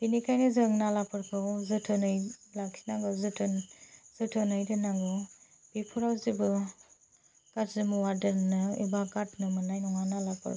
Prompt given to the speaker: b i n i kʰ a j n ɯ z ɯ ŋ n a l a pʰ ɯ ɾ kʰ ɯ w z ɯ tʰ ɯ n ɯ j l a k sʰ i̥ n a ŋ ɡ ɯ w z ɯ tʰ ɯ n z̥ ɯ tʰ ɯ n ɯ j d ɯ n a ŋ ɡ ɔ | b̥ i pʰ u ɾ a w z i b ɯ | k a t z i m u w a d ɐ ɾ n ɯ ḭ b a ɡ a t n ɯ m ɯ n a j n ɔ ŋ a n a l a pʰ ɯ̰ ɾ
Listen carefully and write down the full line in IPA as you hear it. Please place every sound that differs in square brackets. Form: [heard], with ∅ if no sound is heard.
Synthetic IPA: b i n i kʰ a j n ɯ z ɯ ŋ n a l a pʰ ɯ ɾ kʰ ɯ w z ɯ tʰ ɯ n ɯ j l a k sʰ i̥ n a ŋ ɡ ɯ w z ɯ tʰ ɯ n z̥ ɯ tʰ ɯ n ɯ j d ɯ n a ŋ ɡ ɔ | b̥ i pʰ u ɾ a w z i b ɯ | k a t z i m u w a d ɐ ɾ n ɯ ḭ b a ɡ a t n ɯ m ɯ n a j n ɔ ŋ a n a l a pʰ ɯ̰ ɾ